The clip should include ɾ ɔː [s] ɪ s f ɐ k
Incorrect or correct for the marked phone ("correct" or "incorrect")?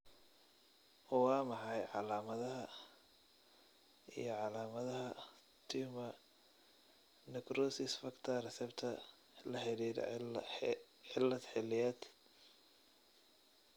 correct